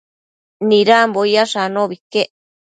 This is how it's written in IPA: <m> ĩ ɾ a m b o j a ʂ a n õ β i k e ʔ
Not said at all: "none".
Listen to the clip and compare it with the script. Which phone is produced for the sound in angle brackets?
n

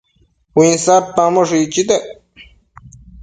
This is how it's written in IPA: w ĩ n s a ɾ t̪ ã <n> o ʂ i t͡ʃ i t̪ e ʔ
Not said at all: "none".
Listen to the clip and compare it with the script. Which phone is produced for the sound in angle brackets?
m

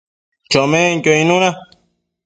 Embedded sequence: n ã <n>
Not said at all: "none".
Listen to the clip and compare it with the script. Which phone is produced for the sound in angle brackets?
none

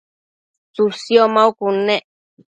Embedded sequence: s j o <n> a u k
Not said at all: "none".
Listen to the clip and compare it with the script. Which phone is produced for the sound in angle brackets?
m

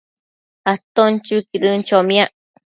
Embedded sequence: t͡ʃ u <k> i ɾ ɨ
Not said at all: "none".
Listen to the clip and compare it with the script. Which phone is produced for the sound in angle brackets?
k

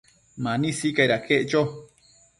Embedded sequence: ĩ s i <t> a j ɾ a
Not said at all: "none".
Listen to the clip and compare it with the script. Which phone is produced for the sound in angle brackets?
k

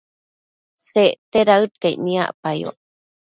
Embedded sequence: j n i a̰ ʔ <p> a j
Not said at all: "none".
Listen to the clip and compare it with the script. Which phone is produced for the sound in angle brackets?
p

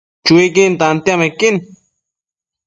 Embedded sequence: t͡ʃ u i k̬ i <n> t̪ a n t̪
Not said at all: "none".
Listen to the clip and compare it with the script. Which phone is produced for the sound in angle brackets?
n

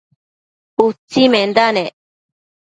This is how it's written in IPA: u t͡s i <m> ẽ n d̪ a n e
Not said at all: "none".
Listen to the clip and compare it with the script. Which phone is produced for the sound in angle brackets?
m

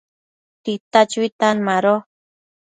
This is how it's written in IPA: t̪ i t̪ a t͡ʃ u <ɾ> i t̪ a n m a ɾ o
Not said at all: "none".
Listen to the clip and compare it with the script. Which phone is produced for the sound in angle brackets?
none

